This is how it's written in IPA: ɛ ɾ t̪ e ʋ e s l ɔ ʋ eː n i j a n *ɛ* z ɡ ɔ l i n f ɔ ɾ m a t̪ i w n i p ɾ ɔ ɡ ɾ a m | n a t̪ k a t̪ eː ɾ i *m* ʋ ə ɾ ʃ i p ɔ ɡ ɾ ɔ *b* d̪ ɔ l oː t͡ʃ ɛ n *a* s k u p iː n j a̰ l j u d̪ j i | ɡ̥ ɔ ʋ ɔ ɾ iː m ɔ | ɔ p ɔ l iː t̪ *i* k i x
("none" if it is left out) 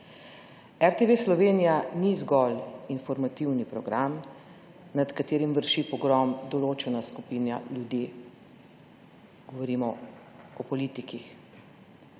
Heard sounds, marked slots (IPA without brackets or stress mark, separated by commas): i, m, m, a, i